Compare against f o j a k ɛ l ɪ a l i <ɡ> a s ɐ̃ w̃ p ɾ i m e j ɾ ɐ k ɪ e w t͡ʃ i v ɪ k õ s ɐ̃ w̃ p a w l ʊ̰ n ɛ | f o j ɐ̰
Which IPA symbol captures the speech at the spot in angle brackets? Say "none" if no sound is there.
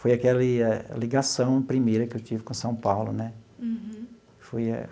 ɡ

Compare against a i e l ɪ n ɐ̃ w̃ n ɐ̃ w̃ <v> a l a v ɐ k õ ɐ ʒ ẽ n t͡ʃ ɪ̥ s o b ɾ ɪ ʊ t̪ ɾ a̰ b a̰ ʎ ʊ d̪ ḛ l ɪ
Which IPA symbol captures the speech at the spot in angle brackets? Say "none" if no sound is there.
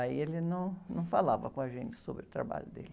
f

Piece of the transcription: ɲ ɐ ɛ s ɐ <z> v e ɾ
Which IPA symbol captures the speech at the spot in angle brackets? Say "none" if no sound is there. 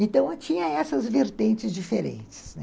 z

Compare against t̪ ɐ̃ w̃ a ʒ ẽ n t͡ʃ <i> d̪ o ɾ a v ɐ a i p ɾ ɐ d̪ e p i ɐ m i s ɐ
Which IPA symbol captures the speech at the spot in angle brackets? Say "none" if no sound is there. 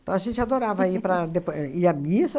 a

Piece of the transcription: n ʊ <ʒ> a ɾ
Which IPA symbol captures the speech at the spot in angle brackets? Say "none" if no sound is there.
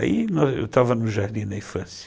ʒ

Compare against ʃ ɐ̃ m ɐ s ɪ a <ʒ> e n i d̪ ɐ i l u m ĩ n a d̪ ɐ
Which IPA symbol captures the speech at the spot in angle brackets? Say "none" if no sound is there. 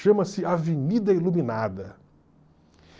v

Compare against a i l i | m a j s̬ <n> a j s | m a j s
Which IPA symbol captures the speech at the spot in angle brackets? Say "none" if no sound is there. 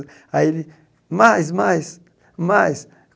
m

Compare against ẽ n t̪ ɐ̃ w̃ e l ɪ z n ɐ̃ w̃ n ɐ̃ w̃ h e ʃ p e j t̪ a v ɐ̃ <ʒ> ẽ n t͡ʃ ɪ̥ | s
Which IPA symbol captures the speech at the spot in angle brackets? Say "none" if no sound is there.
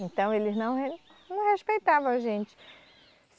ʒ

